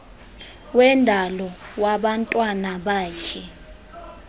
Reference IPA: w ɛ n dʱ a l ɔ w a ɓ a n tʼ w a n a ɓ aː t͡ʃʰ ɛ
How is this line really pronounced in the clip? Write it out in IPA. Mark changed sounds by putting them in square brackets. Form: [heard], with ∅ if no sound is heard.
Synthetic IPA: w ɛ n dʱ a l ɔ w a ɓ a n tʼ w a n a ɓ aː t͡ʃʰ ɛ